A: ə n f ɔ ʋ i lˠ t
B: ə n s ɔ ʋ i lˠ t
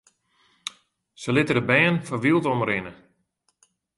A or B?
A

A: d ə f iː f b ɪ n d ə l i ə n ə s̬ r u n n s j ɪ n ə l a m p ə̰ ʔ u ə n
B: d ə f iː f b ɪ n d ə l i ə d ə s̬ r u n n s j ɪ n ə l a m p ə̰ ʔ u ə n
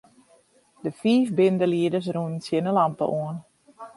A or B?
B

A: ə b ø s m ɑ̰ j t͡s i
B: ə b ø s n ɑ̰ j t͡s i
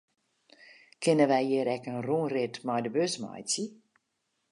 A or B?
A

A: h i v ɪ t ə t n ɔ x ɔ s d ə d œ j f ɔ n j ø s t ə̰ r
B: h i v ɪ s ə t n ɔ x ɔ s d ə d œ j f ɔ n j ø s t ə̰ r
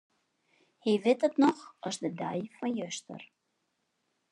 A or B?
A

